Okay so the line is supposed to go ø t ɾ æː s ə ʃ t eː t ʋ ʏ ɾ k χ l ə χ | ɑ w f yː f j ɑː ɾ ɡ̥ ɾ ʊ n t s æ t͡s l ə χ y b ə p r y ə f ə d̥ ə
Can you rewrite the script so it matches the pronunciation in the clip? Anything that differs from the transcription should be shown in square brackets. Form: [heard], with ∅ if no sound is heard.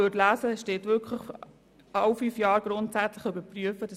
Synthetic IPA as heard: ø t [l] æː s ə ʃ t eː t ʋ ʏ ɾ k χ l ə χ | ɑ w f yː f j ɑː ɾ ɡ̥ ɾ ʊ n t s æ t͡s l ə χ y b ə p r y ə f ə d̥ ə